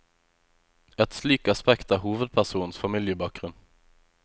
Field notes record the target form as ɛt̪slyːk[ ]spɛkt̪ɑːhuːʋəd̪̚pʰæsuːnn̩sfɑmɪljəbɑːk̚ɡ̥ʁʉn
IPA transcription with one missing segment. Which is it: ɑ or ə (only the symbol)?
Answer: ɑ